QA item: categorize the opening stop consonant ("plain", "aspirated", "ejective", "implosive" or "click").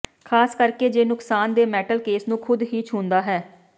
aspirated